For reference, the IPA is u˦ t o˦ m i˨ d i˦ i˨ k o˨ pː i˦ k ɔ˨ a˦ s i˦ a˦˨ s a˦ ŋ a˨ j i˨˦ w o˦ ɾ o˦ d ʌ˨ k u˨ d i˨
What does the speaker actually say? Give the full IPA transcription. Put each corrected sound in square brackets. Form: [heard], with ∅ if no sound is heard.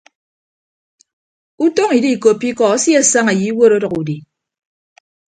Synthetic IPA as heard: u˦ t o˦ [ŋ] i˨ d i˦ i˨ k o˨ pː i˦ k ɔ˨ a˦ s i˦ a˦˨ s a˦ ŋ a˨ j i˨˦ w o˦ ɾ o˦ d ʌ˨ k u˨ d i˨